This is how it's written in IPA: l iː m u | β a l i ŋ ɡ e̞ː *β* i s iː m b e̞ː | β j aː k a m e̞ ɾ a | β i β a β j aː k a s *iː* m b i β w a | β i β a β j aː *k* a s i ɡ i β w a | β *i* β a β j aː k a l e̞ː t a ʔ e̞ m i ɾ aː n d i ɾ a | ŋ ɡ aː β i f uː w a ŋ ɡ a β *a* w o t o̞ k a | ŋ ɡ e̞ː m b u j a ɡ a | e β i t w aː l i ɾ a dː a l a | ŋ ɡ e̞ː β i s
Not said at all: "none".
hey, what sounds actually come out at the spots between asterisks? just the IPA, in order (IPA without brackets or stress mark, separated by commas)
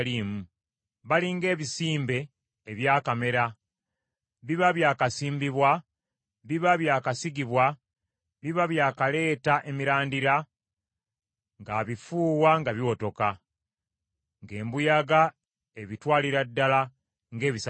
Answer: β, iː, k, i, i